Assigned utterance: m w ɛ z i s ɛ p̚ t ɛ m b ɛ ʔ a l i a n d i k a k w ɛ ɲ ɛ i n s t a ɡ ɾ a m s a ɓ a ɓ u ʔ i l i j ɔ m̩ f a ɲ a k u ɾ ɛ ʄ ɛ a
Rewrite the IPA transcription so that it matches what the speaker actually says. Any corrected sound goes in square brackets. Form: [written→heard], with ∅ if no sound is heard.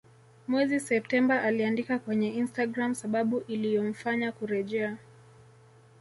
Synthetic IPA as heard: m w ɛ z i s ɛ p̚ t ɛ m b [ɛ→a] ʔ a l i a n d i k a k w ɛ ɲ ɛ i n s t a ɡ ɾ a m s a ɓ a ɓ u ʔ i l i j ɔ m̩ f a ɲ a k u ɾ ɛ ʄ ɛ a